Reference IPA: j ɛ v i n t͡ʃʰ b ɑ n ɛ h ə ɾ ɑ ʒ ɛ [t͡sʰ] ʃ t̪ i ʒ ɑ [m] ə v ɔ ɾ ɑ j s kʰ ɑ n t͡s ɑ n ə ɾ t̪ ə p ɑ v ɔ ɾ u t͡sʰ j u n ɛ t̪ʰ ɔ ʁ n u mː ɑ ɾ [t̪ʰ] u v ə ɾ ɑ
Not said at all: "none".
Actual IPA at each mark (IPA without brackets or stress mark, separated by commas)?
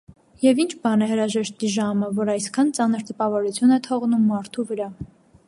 none, m, t̪ʰ